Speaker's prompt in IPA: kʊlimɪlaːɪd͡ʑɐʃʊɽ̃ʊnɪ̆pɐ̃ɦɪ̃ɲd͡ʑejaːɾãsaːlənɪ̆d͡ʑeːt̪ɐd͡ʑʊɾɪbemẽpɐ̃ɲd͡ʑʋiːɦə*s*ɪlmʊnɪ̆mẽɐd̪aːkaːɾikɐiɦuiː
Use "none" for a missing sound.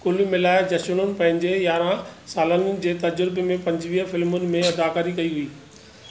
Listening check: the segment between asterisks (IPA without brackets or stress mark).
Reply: f